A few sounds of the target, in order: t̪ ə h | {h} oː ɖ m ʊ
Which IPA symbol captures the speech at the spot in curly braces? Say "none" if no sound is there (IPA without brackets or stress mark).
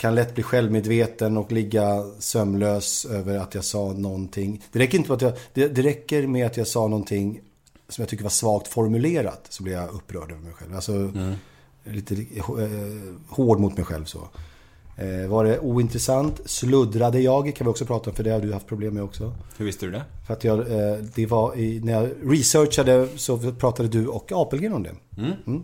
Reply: h